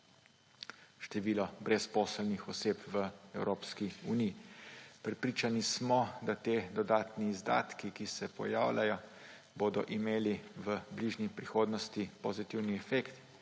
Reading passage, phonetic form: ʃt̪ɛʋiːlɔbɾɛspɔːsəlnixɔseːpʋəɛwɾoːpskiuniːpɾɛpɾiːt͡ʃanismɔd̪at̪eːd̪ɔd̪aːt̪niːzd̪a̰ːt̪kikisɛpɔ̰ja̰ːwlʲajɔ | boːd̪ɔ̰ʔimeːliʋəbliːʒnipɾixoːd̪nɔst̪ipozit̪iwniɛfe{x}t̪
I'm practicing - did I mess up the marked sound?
yes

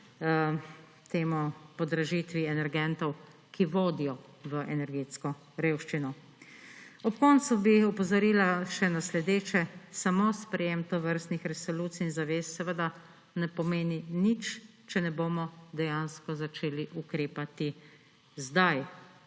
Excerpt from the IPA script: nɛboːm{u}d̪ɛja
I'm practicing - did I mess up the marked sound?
yes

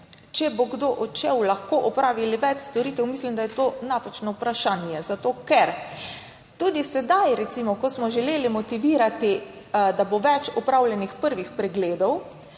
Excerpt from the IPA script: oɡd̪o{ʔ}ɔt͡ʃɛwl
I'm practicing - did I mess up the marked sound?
no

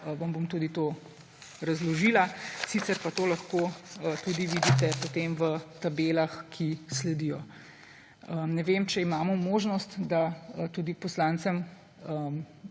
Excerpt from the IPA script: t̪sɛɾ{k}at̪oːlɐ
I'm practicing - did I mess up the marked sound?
yes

